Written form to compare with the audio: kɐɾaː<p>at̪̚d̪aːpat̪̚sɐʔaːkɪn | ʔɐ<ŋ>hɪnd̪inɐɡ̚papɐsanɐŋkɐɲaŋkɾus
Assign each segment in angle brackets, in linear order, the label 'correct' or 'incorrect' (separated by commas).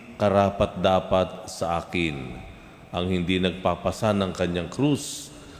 correct, correct